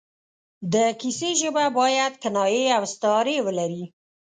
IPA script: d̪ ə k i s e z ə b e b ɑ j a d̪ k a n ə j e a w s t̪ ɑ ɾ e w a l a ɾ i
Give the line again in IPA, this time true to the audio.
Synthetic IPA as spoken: d̪ ə k i s e ʒ ə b a b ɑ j a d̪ k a n ɑ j e a w s t̪ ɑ ɾ e w ə l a ɾ i